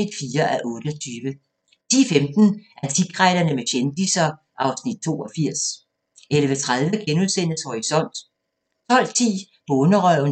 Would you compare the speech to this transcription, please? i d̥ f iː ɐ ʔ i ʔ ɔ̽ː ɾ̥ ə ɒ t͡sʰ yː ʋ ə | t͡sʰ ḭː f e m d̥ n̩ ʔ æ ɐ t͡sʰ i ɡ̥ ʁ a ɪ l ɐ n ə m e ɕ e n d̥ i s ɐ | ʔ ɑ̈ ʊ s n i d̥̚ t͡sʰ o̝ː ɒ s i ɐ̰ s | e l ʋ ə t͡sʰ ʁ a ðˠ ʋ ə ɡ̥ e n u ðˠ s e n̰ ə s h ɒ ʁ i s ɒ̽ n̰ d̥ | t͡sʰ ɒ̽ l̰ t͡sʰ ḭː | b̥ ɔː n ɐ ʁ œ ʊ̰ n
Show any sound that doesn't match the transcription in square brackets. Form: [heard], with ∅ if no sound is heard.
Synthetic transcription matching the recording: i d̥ f iː ɐ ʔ [æ] ʔ ɔ̽ː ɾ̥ ə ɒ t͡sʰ yː ʋ ə | t͡sʰ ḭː f e m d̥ n̩ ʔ æ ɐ t͡sʰ i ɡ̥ ʁ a ɪ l ɐ n ə m e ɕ e n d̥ i s ɐ | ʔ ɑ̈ ʊ s n i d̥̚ t͡sʰ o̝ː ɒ [f] i ɐ̰ s | e l ʋ ə t͡sʰ ʁ a ðˠ ʋ ə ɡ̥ e n u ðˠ s e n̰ ə s h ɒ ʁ i s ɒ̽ n̰ d̥ | t͡sʰ ɒ̽ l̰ t͡sʰ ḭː | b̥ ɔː n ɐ ʁ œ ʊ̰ n

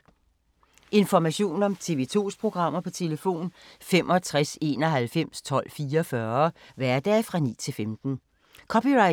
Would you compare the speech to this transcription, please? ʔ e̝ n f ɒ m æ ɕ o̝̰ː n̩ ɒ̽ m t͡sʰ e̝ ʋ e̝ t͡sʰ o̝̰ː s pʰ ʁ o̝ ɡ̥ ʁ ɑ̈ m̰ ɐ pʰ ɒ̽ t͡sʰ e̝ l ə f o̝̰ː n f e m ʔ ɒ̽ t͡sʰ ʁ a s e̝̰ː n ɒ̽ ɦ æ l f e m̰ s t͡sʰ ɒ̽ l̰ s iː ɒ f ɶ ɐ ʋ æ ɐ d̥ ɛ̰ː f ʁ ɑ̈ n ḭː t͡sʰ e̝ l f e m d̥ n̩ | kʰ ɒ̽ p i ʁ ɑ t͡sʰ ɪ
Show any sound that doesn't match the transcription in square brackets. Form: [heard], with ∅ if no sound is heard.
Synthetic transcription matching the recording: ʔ e̝ n f ɒ m æ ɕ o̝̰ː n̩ ɒ̽ m t͡sʰ e̝ ʋ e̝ t͡sʰ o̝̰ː s pʰ ʁ o̝ ɡ̥ ʁ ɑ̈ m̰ ɐ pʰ ɒ̽ t͡sʰ e̝ l ə f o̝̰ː n f e m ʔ ɒ̽ t͡sʰ ʁ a s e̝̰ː n ɒ̽ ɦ æ l f e m̰ s t͡sʰ ɒ̽ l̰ [f] iː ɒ f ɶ ɐ ʋ æ ɐ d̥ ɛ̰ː f ʁ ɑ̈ n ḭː t͡sʰ e̝ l f e m d̥ n̩ | kʰ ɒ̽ p i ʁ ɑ [∅] ɪ

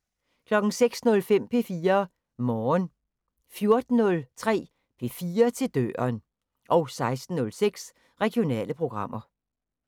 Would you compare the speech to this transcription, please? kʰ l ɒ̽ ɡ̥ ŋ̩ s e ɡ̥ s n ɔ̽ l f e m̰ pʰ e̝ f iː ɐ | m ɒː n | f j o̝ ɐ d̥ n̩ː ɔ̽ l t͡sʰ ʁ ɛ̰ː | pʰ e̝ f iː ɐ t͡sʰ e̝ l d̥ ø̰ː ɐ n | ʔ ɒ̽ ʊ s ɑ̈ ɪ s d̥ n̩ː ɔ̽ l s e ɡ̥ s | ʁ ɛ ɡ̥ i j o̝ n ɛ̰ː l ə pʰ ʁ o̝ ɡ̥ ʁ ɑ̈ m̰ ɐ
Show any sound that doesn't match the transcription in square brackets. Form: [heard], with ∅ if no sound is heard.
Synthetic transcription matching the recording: kʰ l ɒ̽ ɡ̥ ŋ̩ s e ɡ̥ s n ɔ̽ l f e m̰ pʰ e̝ f iː ɐ | m ɒː n | f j o̝ ɐ d̥ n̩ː ɔ̽ l t͡sʰ ʁ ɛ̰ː | pʰ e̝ f iː ɐ t͡sʰ e̝ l d̥ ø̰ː ɐ n | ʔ ɒ̽ ʊ s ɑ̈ ɪ s d̥ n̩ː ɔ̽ l s e ɡ̥ s | ʁ ɛ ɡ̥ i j o̝ n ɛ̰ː l ə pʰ ʁ o̝ ɡ̥ ʁ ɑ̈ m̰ ɐ

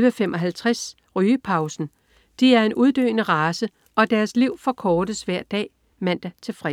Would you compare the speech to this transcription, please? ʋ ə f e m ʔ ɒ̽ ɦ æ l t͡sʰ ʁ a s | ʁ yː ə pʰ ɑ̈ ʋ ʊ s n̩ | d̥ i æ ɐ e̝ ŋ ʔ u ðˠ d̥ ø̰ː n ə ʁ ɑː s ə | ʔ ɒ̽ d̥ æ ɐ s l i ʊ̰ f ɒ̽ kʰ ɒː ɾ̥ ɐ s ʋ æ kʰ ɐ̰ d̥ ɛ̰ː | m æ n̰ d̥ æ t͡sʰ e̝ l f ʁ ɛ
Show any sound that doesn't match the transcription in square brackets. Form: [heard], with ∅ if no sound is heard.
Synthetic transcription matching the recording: ʋ ə f e m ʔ ɒ̽ ɦ æ l t͡sʰ ʁ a s | ʁ yː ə pʰ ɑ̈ [∅] ʊ s n̩ | d̥ i æ ɐ e̝ [n] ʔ u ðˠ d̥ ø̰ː n ə ʁ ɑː s ə | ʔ ɒ̽ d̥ æ ɐ s l i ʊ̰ f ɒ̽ kʰ ɒː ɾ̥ [ə] s ʋ æ [∅] ɐ̰ d̥ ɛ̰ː | m æ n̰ d̥ æ t͡sʰ e̝ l f ʁ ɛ

